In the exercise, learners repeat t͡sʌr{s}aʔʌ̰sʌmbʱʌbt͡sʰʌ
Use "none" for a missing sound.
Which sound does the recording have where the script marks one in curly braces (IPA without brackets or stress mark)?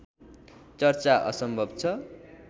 t͡s